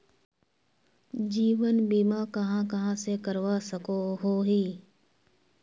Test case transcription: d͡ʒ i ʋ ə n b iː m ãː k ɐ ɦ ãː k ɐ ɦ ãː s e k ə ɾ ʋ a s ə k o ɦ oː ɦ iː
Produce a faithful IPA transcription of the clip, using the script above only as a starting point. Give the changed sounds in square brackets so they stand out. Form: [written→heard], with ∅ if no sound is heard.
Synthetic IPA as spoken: d͡ʒ [i→iː] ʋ ə n b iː m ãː k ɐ ɦ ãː k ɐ ɦ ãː s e k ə ɾ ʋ a s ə k o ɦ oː ɦ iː